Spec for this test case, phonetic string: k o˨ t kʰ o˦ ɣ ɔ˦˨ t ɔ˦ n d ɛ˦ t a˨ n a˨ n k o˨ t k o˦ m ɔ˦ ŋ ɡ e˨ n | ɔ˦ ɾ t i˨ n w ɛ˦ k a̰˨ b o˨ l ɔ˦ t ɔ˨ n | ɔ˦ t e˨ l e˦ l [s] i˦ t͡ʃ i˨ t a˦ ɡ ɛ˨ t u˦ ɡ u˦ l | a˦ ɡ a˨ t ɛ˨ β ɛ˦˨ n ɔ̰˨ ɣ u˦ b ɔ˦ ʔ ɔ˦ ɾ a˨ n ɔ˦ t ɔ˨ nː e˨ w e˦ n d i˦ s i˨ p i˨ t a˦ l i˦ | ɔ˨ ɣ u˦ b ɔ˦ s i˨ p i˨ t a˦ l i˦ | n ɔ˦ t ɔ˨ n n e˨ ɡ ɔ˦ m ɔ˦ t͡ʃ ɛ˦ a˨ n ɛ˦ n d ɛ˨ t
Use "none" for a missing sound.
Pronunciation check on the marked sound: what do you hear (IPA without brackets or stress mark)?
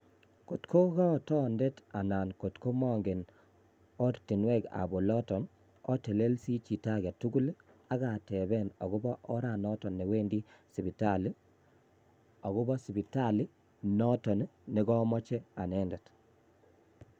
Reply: s